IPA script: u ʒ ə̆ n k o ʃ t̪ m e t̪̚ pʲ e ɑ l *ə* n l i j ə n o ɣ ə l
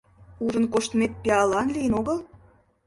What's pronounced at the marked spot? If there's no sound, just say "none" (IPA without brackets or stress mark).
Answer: ɑ